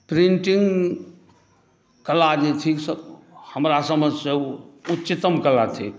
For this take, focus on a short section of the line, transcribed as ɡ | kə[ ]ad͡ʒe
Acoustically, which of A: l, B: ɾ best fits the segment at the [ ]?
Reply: A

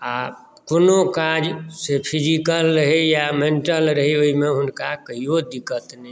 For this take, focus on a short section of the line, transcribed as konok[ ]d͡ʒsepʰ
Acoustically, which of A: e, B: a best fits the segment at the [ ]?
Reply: B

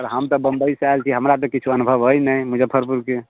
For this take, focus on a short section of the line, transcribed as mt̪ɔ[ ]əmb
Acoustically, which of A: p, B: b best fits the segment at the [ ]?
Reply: B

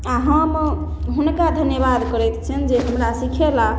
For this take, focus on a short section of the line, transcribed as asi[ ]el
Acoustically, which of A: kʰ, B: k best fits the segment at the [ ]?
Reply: A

